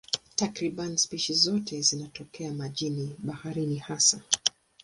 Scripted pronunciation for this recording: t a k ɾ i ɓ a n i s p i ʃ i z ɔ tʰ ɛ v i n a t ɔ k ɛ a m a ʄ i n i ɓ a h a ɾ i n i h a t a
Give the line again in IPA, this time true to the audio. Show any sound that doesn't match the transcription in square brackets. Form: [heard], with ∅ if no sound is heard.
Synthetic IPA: t a k ɾ i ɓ a n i s p i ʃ i z ɔ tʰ ɛ [z] i n a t ɔ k ɛ a m a ʄ i n i ɓ a h a ɾ i n i h a [s] a